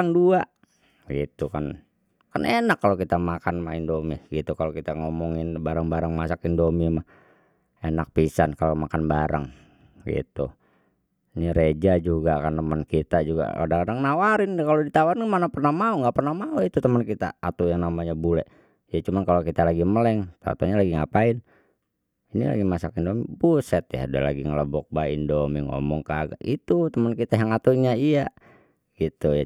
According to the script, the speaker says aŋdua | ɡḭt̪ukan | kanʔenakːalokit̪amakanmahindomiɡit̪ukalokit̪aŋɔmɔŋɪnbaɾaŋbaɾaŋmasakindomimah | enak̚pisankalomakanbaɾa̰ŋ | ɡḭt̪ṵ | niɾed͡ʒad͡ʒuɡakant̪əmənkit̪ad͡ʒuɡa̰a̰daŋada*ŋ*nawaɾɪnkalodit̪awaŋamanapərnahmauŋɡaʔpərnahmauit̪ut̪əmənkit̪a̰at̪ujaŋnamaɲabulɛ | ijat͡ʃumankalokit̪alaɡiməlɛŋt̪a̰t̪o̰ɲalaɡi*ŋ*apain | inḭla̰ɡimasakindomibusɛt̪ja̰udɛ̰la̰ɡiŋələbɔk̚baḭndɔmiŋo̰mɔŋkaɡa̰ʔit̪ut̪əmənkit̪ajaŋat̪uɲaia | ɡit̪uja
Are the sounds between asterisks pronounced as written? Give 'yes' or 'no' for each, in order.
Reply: yes, yes

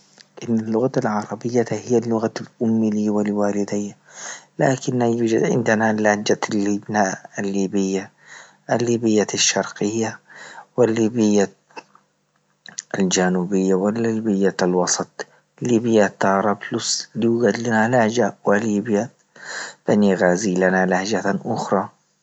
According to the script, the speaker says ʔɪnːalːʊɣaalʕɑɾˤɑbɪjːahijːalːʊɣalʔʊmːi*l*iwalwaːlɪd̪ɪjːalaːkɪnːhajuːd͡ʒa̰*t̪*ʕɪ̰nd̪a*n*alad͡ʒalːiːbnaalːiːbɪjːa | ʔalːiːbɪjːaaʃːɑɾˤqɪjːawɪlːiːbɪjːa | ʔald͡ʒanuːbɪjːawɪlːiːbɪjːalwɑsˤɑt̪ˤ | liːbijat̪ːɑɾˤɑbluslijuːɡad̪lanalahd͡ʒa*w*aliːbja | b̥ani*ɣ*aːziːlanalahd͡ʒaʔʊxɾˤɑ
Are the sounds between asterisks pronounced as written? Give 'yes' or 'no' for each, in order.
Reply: yes, no, yes, yes, yes

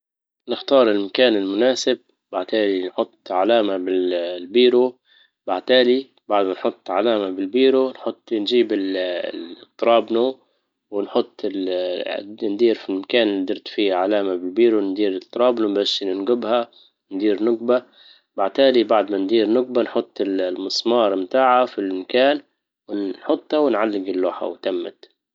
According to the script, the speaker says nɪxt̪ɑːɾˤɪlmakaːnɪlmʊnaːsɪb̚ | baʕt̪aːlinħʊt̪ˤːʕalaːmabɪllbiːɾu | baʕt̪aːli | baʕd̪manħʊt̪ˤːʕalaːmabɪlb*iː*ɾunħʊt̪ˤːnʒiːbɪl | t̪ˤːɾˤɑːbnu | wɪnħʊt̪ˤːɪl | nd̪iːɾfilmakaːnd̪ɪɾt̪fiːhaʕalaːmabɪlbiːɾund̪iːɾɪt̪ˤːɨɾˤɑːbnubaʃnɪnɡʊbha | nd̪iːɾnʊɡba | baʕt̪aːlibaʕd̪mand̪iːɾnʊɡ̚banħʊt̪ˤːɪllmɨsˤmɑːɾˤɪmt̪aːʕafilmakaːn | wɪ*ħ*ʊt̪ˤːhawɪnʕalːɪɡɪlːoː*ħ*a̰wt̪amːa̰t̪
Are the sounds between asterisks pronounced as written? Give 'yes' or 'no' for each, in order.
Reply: yes, yes, yes

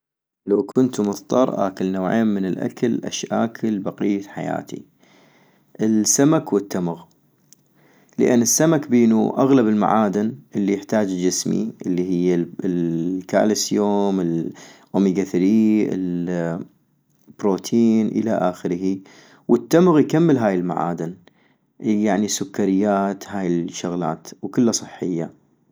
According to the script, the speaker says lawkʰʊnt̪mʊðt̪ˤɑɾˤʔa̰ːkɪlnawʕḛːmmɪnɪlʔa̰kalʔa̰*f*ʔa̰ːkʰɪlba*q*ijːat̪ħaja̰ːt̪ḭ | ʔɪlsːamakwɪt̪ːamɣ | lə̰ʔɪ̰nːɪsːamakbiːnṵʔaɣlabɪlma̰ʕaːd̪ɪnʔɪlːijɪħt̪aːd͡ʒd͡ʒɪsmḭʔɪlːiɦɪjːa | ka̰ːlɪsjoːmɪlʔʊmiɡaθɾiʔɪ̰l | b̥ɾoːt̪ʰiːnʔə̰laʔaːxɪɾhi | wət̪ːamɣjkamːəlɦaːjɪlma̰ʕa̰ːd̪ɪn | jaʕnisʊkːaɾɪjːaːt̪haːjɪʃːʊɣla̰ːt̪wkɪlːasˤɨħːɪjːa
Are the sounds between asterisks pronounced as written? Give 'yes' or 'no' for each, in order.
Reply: no, yes

